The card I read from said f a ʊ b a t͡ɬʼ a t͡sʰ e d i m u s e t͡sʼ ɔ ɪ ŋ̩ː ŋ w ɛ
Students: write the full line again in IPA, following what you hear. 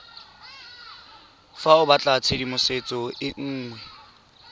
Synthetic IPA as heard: f a ʊ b a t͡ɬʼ a t͡sʰ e d i m ʊ s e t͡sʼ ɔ ɪ ŋ̩ː ŋ w ɛ

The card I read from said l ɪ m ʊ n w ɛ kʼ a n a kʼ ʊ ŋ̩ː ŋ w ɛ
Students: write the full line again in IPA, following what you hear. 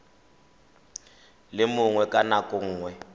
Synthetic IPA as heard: l ɪ m ʊ ŋ w ɛ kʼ a n a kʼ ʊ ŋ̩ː ŋ w ɛ

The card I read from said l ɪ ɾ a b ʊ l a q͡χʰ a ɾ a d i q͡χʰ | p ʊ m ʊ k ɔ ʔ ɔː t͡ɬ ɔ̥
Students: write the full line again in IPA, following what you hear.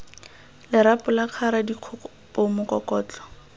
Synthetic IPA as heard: l ɪ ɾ a p ʊ l a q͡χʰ a ɾ a d i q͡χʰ | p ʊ m ʊ k ɔ k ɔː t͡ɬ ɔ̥

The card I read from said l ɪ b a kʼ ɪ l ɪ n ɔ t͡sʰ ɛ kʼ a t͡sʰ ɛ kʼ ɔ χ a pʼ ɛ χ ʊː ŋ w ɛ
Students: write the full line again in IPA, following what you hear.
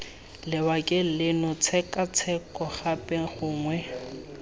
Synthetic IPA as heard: l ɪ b a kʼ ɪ l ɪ n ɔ t͡sʰ ɛ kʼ a t͡sʰ ɛ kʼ ɔ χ a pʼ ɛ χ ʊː ŋ w ɛ

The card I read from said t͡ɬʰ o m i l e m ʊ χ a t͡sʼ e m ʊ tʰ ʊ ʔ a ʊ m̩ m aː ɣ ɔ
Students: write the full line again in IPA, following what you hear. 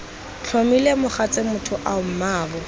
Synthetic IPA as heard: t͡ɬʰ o m i l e m ʊ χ a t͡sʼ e m ʊ tʰ ʊ ʔ a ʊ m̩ m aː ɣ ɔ

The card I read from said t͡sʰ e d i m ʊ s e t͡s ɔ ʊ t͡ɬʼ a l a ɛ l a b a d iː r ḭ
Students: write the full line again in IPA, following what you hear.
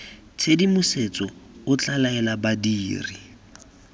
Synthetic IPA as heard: t͡sʰ e d i m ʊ s e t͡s ɔ ʊ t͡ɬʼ a l a ɛ l a b a d iː r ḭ

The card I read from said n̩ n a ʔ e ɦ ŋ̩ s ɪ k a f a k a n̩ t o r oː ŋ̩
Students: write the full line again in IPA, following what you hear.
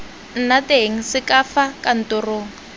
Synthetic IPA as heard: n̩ n a t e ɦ ŋ̩ s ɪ k a f a k a n̩ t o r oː ŋ̩

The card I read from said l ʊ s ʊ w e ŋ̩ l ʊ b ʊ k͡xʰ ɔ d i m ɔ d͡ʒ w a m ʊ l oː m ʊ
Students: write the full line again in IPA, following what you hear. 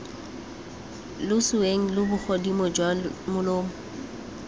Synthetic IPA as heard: l ʊ s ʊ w e ŋ̩ l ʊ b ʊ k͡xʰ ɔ d i m ɔ d͡ʒ w a m ʊ l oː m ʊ

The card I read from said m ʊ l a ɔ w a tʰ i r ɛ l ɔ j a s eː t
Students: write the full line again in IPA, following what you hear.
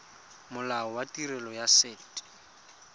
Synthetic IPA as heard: m ʊ l a ɔ w a t i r ɛ l ɔ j a s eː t

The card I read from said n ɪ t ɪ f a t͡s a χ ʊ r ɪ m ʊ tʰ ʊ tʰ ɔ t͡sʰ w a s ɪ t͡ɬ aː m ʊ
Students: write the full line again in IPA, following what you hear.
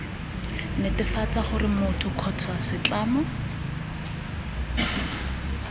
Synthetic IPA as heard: n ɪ t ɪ f a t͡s a χ ʊ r ɪ m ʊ tʰ ʊ kʰ ɔ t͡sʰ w a s ɪ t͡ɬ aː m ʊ

